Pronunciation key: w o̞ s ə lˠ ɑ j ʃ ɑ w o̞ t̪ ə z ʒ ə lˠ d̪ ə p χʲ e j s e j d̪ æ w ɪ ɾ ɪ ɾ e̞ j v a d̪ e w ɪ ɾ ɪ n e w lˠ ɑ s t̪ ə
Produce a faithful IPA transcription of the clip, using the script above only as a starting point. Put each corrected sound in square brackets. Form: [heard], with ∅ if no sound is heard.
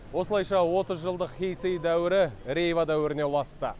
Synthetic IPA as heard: w o̞ s ə lˠ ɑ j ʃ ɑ w o̞ t̪ ə z ʒ ə lˠ d̪ ə [q] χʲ e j s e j d̪ æ w ɪ ɾ ɪ ɾ e̞ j v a d̪ [æ] w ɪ ɾ ɪ n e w lˠ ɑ s t̪ ə